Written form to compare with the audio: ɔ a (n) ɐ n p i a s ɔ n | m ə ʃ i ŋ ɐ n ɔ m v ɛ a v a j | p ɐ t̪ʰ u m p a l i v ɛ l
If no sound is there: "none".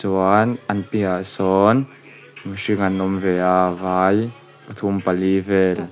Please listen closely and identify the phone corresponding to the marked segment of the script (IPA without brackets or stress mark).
n